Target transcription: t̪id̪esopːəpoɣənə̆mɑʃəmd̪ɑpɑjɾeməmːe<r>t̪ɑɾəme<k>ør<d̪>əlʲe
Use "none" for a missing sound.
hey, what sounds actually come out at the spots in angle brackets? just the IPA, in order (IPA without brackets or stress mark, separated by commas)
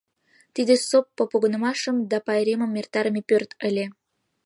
r, p, t̪